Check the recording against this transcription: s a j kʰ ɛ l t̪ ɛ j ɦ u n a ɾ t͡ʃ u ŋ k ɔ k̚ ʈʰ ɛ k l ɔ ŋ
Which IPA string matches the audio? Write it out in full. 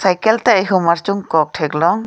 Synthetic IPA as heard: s a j k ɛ l t̪ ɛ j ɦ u m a ɾ t͡ʃ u ŋ k ɔ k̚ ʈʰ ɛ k l ɔ ŋ

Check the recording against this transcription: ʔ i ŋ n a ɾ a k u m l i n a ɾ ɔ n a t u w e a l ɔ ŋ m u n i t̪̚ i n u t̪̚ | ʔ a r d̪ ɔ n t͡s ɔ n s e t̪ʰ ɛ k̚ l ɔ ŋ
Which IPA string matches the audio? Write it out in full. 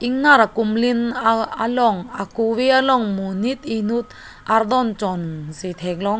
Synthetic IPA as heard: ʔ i ŋ n a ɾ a k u m l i n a l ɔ ŋ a k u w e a l ɔ ŋ m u n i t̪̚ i n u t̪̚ | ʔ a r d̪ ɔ n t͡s ɔ n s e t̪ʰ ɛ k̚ l ɔ ŋ

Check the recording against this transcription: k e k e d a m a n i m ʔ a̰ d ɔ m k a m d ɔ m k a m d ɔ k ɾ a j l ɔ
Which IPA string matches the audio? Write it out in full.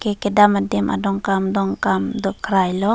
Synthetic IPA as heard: k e k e d a m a d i m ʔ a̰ d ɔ ŋ k a m d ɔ ŋ k a m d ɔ k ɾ a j l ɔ

